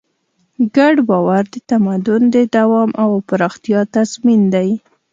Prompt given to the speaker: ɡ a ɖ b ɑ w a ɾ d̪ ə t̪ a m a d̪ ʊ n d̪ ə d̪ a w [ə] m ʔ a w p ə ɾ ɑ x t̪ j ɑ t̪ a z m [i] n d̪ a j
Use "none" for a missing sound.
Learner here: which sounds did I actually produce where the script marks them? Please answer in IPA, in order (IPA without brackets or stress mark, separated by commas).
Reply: ɑ, i